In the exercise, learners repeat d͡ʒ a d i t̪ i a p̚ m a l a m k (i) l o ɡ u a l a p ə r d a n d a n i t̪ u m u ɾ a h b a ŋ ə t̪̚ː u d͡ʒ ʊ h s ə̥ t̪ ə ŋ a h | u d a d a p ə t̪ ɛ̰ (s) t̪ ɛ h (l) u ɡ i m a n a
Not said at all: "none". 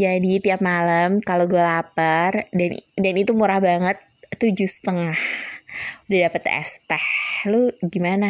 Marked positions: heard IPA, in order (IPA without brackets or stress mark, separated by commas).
a, s, l